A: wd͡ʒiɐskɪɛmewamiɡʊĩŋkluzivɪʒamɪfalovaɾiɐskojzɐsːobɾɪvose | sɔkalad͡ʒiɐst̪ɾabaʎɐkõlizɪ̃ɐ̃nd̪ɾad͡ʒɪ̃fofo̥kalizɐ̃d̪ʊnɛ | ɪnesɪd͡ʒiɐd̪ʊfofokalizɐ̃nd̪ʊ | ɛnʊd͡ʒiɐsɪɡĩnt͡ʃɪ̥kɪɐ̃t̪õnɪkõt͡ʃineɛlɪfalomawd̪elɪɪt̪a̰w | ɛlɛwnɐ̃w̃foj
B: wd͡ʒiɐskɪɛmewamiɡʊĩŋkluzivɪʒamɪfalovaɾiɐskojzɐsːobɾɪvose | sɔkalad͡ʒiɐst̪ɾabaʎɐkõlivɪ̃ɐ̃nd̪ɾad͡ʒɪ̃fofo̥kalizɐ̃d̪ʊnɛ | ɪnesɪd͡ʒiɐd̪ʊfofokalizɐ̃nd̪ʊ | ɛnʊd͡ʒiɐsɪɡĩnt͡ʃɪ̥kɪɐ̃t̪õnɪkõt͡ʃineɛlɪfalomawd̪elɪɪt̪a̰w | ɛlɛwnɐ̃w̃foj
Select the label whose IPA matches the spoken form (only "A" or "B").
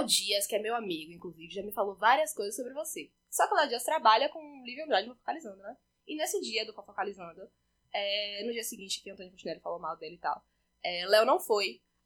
B